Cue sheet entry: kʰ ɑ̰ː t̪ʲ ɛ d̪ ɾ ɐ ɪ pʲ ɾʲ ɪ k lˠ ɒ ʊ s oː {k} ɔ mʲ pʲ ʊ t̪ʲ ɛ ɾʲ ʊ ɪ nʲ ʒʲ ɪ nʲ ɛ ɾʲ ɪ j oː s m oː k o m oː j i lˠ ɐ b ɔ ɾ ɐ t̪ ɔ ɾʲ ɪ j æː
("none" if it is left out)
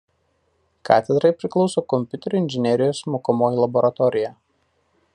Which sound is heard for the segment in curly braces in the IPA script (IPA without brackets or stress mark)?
k